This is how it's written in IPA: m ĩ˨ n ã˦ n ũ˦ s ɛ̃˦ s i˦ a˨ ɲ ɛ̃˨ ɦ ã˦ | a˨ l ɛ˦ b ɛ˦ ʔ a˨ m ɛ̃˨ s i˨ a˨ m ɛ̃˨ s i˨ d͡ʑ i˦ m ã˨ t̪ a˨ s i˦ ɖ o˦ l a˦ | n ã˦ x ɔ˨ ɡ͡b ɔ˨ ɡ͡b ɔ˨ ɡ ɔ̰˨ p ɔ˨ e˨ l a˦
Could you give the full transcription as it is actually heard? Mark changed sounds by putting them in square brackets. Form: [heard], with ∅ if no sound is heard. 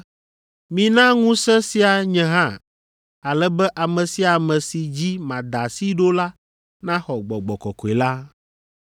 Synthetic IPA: m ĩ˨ n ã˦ [ŋ] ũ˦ s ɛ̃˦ s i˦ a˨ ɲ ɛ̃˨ ɦ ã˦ | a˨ l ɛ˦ b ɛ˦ ʔ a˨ m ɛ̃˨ s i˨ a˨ m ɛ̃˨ s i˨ d͡ʑ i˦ m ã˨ [d̪] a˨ s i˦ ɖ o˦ l a˦ | n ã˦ x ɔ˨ ɡ͡b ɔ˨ ɡ͡b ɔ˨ [k] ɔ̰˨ [k] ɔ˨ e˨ l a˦